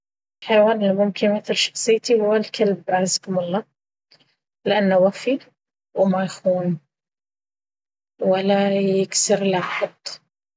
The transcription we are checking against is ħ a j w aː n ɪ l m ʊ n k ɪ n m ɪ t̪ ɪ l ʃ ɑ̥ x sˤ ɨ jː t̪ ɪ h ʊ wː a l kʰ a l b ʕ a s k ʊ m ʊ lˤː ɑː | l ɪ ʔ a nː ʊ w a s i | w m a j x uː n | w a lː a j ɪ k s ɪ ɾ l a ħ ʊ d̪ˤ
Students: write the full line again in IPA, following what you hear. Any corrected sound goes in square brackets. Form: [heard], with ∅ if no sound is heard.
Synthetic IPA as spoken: ħ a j w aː n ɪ l m ʊ [m] k ɪ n m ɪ t̪ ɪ l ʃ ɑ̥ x sˤ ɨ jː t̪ [i] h ʊ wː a l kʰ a l b ʕ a [z] k ʊ m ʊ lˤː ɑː | l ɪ ʔ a nː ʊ w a [f] i | w m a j x uː n | w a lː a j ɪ k s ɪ ɾ l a ħ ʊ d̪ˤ